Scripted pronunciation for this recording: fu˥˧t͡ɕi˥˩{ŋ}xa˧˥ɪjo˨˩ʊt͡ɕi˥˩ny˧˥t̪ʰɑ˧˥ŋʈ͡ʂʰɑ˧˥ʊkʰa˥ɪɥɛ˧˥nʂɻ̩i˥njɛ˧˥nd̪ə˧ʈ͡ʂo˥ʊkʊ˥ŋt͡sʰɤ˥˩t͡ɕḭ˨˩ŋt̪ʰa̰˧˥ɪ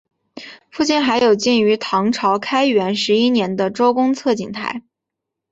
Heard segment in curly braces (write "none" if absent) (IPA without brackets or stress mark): n